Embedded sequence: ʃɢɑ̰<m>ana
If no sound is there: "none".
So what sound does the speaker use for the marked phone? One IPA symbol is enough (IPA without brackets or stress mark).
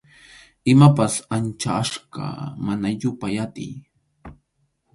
m